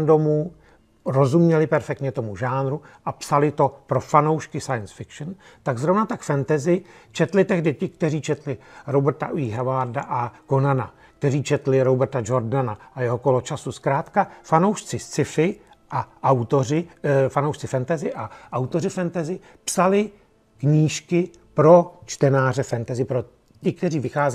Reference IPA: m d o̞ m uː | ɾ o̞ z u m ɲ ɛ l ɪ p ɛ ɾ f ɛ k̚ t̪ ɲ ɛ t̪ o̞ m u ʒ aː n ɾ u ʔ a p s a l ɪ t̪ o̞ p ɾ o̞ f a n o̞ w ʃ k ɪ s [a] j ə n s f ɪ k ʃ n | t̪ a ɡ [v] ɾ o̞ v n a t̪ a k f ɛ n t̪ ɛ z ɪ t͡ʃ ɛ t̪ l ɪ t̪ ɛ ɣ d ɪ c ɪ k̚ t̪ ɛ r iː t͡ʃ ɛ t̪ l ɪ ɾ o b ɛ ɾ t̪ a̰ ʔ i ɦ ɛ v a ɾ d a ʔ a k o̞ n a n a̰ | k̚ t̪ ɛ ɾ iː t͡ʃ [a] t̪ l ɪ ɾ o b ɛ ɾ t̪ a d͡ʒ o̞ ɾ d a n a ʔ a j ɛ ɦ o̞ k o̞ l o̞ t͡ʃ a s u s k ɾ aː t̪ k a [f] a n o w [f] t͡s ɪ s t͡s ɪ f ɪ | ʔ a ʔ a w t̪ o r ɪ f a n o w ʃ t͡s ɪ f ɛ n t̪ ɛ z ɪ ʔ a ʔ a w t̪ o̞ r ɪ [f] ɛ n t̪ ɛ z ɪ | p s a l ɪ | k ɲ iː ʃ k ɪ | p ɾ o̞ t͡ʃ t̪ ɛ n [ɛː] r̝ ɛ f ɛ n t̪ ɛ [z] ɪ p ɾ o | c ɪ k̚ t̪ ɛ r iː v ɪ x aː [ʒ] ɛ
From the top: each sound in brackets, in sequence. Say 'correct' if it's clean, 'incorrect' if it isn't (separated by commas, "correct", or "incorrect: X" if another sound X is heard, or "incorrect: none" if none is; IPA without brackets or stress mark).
correct, incorrect: z, incorrect: ɛ, correct, incorrect: ʃ, correct, incorrect: aː, correct, incorrect: z